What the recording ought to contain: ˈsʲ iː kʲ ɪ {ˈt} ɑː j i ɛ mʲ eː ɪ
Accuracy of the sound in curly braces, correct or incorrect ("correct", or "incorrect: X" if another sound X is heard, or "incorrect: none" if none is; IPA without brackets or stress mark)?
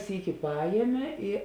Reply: incorrect: p